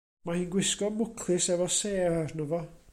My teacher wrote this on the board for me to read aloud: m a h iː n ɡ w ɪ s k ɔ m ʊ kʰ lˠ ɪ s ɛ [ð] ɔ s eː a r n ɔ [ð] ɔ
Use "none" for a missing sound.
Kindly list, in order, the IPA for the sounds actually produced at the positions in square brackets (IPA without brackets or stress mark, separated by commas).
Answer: v, v